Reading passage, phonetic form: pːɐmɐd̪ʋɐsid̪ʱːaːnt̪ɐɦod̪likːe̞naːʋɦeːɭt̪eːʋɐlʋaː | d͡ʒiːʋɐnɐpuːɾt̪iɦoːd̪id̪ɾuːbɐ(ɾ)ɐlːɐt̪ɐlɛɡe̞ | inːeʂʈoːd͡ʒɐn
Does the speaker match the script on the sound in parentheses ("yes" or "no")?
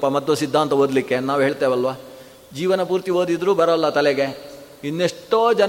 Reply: yes